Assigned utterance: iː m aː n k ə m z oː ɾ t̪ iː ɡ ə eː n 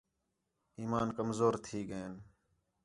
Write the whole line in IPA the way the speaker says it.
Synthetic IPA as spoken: iː m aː n k ə m z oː ɾ t̪ʰ iː ɡ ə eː n